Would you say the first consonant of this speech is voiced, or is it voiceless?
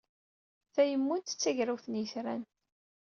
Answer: voiceless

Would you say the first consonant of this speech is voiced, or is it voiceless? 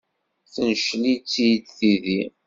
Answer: voiceless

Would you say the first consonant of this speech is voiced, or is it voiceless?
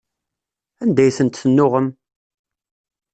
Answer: voiced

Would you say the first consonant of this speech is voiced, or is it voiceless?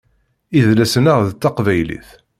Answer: voiced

